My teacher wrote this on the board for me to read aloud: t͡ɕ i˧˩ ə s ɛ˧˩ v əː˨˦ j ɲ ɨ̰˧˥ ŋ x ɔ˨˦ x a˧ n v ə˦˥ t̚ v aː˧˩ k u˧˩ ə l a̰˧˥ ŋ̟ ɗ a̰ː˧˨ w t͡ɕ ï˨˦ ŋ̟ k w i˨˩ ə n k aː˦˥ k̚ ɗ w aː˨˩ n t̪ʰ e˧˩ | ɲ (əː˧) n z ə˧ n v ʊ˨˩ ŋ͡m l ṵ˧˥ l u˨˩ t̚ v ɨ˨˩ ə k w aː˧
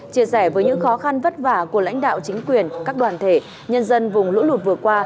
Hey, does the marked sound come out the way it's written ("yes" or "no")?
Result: no